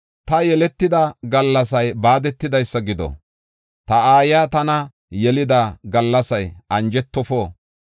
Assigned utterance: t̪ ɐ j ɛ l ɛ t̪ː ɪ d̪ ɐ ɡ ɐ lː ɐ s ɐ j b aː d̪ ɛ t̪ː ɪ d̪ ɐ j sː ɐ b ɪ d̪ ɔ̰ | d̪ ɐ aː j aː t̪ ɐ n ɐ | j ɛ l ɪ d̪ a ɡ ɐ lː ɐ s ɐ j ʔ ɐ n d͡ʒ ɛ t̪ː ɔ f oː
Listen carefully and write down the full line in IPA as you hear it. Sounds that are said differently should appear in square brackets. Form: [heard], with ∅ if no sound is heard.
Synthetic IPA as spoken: t̪ ɐ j ɛ l ɛ t̪ː ɪ d̪ ɐ ɡ ɐ lː ɐ s ɐ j b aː d̪ ɛ t̪ː ɪ d̪ ɐ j sː ɐ [ɡ] ɪ d̪ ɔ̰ | [t̪] ɐ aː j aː t̪ ɐ n ɐ | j ɛ l ɪ d̪ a ɡ ɐ lː ɐ s ɐ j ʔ ɐ n d͡ʒ ɛ t̪ː ɔ f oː